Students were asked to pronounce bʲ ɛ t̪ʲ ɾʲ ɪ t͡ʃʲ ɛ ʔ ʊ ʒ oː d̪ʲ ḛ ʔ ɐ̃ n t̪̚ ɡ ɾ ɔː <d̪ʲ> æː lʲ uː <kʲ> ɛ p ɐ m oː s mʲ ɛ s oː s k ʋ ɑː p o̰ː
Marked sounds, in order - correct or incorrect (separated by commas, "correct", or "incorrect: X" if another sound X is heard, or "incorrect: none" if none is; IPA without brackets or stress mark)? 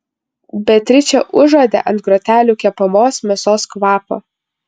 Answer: incorrect: t̪ʲ, correct